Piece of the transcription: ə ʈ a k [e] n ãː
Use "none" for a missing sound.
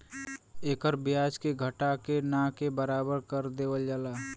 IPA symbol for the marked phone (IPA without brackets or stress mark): e